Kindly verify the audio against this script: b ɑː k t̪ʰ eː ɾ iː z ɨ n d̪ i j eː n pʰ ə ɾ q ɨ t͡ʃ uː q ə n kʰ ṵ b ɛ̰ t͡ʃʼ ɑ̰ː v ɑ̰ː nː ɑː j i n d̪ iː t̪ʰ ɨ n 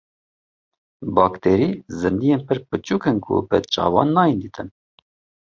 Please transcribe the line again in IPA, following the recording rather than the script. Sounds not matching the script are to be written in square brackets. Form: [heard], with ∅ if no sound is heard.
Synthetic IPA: b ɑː k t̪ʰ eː ɾ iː z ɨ n d̪ i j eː n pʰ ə ɾ [p] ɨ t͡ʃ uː [k] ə n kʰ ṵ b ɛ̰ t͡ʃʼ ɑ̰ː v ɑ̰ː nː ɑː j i n d̪ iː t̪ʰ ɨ n